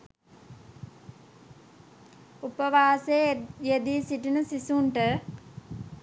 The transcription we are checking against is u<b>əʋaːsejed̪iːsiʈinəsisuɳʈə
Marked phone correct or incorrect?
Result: incorrect